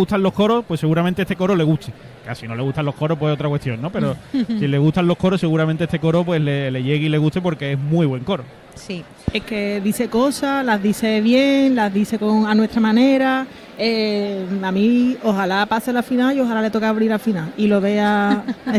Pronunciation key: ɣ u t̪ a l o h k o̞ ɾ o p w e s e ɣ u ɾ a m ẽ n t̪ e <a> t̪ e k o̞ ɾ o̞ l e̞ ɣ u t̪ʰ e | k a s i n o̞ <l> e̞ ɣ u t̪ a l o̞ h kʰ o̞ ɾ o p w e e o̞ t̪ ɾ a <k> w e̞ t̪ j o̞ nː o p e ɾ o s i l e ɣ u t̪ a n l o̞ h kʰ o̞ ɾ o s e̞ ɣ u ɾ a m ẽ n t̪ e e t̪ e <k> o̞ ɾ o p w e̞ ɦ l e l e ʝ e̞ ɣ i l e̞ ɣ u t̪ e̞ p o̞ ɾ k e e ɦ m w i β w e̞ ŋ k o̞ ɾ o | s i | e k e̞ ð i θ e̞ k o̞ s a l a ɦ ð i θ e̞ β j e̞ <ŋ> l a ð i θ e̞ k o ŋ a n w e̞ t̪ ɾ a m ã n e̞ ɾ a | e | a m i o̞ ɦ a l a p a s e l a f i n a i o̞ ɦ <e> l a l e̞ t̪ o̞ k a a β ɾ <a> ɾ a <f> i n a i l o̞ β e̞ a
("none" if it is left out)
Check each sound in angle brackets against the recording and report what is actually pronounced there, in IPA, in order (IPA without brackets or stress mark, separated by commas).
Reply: e, l, k, k, ŋ, a, i, f